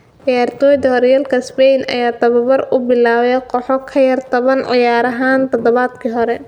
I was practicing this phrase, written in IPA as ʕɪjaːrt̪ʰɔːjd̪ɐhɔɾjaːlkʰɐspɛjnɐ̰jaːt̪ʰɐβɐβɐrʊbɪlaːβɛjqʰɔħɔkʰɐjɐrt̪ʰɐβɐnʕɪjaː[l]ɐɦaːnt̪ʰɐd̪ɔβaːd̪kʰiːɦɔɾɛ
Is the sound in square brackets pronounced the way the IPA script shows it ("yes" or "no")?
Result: no